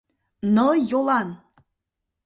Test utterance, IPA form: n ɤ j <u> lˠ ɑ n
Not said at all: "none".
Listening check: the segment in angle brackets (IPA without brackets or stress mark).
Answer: o